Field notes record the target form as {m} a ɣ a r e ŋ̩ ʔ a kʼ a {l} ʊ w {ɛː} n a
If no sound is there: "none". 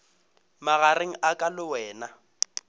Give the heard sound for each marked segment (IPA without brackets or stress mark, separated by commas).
m, l, ɛː